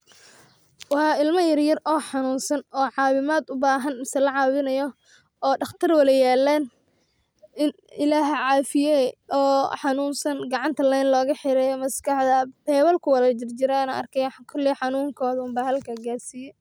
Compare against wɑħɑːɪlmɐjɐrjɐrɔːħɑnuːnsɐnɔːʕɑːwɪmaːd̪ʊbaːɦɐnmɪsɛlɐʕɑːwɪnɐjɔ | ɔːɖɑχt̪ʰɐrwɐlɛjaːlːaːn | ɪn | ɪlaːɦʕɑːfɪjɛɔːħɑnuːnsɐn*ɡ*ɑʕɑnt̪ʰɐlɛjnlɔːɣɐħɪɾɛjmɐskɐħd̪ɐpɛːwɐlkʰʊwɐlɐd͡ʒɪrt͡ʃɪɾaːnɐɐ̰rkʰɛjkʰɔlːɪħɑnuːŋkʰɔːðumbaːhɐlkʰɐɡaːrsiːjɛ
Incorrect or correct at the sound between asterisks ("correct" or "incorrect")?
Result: correct